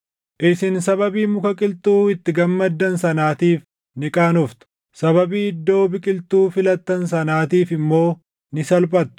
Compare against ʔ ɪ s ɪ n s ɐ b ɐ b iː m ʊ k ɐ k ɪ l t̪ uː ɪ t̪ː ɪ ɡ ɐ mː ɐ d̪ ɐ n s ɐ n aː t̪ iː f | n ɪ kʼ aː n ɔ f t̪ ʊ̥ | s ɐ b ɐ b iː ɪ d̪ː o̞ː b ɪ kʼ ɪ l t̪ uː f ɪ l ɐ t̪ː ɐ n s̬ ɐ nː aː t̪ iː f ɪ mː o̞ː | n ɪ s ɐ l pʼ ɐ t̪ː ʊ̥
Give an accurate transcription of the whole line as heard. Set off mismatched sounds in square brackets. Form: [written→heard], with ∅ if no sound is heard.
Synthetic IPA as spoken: ʔ ɪ s ɪ n s ɐ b ɐ b iː m ʊ k ɐ [k→kʼ] ɪ l t̪ uː ɪ t̪ː ɪ ɡ ɐ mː ɐ [d̪→d̪ː] ɐ n s ɐ n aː t̪ iː f | n ɪ kʼ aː n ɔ f t̪ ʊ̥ | s ɐ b ɐ b iː ɪ d̪ː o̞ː b ɪ kʼ ɪ l t̪ uː f ɪ l ɐ t̪ː ɐ n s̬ ɐ [nː→n] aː t̪ iː f ɪ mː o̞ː | n ɪ s ɐ l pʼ ɐ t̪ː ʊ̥

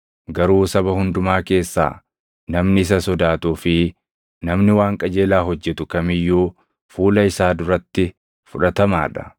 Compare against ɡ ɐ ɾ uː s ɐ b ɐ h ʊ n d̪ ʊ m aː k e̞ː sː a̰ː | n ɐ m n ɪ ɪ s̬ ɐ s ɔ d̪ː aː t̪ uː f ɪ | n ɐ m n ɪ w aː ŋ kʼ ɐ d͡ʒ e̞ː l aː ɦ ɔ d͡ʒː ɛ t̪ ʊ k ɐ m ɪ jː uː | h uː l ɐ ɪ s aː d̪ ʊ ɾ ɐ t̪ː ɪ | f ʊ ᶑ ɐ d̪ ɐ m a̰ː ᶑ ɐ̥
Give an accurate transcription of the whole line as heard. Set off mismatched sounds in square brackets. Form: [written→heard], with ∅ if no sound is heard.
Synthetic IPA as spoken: ɡ ɐ ɾ uː s ɐ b ɐ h ʊ n d̪ ʊ m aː k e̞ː sː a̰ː | n ɐ m n ɪ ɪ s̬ ɐ s ɔ [d̪ː→d̪] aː t̪ uː f ɪ | n ɐ m n ɪ w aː ŋ kʼ ɐ d͡ʒ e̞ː l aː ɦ ɔ d͡ʒː ɛ t̪ ʊ k ɐ m ɪ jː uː | [h→f] uː l ɐ ɪ s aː d̪ ʊ ɾ ɐ t̪ː ɪ | f ʊ ᶑ ɐ [d̪→t̪] ɐ m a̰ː ᶑ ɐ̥

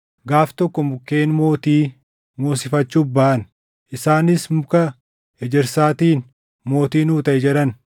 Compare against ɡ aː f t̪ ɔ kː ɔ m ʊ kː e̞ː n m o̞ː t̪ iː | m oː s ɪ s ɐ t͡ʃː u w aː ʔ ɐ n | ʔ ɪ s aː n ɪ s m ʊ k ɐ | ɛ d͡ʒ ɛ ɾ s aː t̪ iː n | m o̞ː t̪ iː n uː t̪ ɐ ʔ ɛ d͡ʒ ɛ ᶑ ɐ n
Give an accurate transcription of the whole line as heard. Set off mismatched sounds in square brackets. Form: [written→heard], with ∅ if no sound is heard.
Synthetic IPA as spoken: ɡ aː f t̪ ɔ kː ɔ m ʊ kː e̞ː n m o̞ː t̪ iː | m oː s ɪ [s→f] ɐ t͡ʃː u [w→b] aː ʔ ɐ n | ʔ ɪ s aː n ɪ s m ʊ k ɐ | ɛ d͡ʒ ɛ ɾ s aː t̪ iː n | m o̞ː t̪ iː n uː t̪ ɐ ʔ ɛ d͡ʒ ɛ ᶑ ɐ n

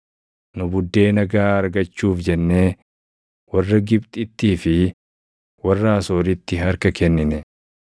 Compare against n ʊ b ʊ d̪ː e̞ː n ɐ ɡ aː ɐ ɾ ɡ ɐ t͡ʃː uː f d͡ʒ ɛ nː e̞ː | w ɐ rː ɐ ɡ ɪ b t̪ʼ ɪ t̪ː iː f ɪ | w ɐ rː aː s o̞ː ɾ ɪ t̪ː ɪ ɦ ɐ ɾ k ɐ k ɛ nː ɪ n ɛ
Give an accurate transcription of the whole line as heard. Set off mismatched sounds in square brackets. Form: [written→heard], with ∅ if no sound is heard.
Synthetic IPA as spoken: n ʊ b ʊ d̪ː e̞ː n ɐ ɡ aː ɐ ɾ ɡ ɐ t͡ʃː uː f d͡ʒ ɛ nː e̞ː | w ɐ rː ɐ ɡ ɪ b t̪ʼ ɪ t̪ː iː f ɪ | w ɐ rː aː s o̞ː ɾ ɪ t̪ː ɪ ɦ ɐ ɾ k ɐ k ɛ nː ɪ n ɛ

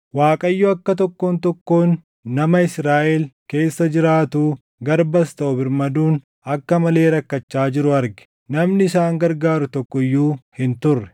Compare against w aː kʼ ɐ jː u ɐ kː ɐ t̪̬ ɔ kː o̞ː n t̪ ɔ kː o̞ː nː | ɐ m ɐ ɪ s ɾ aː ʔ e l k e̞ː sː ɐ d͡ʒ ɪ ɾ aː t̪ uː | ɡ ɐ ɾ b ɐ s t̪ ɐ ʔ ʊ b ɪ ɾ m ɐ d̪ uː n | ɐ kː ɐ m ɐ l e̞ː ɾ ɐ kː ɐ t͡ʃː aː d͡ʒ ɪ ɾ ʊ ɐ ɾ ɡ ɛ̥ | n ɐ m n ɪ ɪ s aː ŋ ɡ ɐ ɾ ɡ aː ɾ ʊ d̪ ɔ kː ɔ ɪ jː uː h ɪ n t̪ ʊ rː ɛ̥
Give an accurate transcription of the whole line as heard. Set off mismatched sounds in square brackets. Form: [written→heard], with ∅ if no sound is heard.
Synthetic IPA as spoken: w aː kʼ ɐ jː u ɐ kː ɐ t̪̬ ɔ kː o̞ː n t̪ ɔ kː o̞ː nː | ɐ m ɐ ɪ s ɾ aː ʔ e l k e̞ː sː ɐ d͡ʒ ɪ ɾ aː t̪ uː | ɡ ɐ ɾ b ɐ s t̪ ɐ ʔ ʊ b ɪ ɾ m ɐ d̪ uː n | ɐ kː ɐ m ɐ l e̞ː ɾ ɐ kː ɐ t͡ʃː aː d͡ʒ ɪ ɾ ʊ ɐ ɾ ɡ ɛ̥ | n ɐ m n ɪ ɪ s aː ŋ ɡ ɐ ɾ ɡ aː ɾ ʊ [d̪→t̪] ɔ kː ɔ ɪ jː uː h ɪ n t̪ ʊ rː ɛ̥

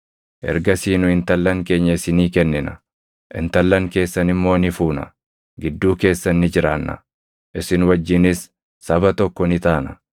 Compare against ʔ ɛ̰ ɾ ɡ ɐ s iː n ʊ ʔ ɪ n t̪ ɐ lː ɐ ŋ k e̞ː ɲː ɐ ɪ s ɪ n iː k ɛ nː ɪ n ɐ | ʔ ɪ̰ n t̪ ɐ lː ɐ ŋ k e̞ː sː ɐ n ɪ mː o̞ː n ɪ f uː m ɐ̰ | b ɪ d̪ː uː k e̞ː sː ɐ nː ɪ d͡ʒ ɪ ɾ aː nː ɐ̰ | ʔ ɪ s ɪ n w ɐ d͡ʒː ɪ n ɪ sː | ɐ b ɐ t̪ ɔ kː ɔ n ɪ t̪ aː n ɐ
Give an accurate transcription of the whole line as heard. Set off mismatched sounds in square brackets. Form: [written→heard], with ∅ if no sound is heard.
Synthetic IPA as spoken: ʔ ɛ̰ ɾ ɡ ɐ s iː n ʊ [ʔ→∅] ɪ n t̪ ɐ lː ɐ ŋ k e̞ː ɲː ɐ ɪ s ɪ n iː k ɛ nː ɪ n ɐ | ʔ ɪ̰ n t̪ ɐ lː ɐ ŋ k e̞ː sː ɐ n ɪ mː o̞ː n ɪ f uː [m→n] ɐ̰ | [b→ɡ] ɪ d̪ː uː k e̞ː sː ɐ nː ɪ d͡ʒ ɪ ɾ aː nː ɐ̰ | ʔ ɪ s ɪ n w ɐ d͡ʒː ɪ n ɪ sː | ɐ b ɐ t̪ ɔ kː ɔ n ɪ t̪ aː n ɐ

